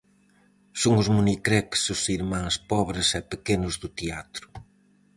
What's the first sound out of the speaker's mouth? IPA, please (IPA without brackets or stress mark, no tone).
s